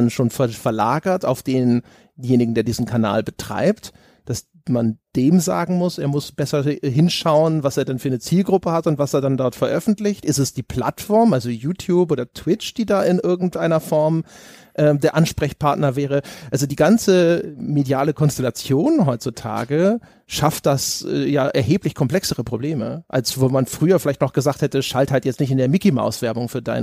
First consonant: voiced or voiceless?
voiced